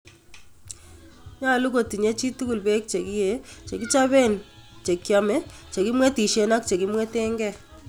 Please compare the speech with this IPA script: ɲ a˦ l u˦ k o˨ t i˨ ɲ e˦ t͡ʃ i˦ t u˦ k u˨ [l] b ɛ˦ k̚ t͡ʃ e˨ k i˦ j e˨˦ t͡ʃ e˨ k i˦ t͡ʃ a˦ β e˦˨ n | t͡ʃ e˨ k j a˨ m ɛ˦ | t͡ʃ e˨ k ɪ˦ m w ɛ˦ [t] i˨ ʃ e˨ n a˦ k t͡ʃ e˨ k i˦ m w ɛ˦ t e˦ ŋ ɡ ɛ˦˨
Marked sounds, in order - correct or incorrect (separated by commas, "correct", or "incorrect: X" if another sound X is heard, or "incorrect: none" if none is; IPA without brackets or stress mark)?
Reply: correct, correct